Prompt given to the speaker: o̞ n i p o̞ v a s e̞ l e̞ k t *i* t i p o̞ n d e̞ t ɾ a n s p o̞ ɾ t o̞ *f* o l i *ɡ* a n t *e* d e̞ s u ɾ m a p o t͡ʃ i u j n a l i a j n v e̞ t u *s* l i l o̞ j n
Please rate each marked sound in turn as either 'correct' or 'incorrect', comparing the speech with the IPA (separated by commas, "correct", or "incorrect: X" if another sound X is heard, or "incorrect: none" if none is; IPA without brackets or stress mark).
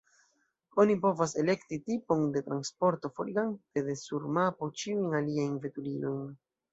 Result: correct, correct, correct, correct, incorrect: none